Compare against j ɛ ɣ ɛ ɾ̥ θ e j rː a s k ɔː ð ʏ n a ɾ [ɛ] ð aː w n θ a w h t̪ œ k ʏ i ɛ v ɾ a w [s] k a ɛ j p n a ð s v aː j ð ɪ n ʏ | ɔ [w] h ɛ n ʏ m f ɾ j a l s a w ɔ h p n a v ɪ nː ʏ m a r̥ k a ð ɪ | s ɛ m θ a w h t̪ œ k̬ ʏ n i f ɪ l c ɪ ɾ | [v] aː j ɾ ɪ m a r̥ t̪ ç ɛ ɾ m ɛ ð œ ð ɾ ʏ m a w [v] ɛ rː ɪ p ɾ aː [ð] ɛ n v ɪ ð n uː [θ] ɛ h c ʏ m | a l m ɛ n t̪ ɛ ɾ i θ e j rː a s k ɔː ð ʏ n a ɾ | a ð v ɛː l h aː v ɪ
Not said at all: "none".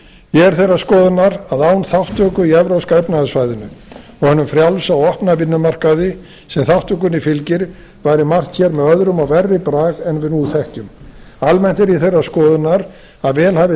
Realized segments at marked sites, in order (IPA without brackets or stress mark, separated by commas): a, s, ɣ, v, v, ɣ, θ